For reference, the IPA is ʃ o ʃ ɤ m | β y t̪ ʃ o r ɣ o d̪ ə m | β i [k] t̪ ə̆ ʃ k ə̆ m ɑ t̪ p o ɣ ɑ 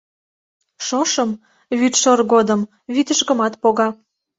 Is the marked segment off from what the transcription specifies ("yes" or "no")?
yes